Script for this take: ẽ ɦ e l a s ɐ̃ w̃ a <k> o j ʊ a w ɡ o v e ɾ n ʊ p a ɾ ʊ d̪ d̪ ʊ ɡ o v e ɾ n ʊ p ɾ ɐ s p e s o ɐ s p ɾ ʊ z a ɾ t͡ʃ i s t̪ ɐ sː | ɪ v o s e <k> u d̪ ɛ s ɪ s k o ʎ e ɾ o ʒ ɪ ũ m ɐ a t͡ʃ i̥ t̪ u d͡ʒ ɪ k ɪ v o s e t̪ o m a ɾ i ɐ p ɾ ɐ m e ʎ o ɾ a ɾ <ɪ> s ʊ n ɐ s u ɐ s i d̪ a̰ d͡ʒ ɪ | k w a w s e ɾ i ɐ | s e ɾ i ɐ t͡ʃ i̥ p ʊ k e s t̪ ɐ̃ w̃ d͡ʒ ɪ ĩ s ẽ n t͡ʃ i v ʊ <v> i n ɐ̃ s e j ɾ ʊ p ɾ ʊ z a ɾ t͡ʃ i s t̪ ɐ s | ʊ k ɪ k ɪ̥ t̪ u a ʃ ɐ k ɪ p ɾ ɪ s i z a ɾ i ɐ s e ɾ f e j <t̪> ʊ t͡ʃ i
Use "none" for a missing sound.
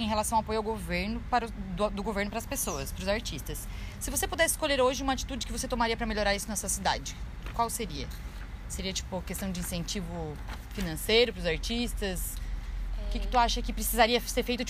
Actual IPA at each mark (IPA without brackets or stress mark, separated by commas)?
p, p, i, f, t̪